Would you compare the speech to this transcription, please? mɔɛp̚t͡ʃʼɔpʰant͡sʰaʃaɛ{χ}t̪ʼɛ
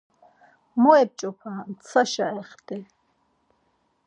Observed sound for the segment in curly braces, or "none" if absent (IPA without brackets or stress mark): χ